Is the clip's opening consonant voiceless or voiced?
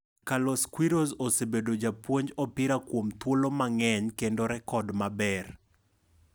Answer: voiceless